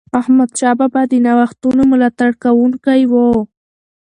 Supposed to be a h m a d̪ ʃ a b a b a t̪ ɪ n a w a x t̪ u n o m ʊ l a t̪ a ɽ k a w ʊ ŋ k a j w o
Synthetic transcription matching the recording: a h m a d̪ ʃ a b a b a d̪ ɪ n a w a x t̪ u n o m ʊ l a t̪ a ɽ k a w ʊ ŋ k a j w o